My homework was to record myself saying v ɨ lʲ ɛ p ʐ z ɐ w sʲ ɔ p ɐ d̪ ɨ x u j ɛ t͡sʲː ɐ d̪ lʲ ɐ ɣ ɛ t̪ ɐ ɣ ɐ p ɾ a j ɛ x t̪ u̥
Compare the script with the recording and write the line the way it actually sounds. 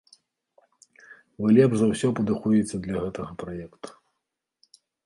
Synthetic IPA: v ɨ lʲ ɛ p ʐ z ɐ w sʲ ɔ p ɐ d̪ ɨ x u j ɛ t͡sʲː ɐ d̪ lʲ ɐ ɣ ɛ t̪ ɐ ɣ ɐ p ɾ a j ɛ k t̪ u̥